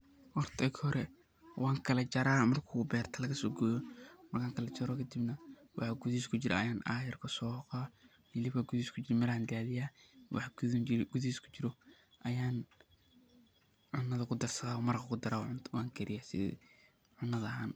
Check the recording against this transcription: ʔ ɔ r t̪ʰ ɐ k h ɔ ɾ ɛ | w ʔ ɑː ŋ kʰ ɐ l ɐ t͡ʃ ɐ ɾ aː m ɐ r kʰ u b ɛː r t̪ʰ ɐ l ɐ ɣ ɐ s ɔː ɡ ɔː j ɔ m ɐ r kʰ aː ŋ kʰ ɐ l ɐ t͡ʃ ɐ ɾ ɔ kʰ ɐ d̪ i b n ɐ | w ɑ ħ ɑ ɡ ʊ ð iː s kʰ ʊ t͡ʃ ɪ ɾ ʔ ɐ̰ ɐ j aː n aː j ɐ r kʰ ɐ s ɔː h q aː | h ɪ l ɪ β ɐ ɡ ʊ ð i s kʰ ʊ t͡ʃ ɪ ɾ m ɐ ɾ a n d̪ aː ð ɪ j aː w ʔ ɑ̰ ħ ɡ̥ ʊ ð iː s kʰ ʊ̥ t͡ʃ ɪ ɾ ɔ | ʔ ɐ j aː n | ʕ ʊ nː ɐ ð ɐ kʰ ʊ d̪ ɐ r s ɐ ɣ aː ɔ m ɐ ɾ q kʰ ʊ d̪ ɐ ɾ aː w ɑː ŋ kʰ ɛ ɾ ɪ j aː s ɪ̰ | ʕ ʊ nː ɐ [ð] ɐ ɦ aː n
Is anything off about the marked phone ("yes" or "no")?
no